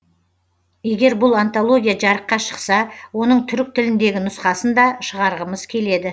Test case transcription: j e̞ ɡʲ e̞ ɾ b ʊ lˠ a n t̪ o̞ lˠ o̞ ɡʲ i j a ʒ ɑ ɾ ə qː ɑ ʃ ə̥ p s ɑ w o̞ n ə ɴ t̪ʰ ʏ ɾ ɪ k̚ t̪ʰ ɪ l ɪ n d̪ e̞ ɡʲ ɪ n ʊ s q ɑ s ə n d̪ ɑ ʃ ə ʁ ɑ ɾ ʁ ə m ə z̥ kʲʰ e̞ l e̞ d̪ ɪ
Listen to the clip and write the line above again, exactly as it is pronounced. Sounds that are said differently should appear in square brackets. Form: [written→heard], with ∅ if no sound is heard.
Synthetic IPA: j e̞ ɡʲ e̞ ɾ b ʊ lˠ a n t̪ o̞ lˠ o̞ ɡʲ i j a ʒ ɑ ɾ ə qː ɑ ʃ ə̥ [p→q] s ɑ w o̞ n ə ɴ t̪ʰ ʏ ɾ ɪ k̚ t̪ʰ ɪ l ɪ n d̪ e̞ ɡʲ ɪ n ʊ s q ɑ s ə n d̪ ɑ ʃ ə ʁ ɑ ɾ ʁ ə m ə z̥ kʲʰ e̞ l e̞ d̪ ɪ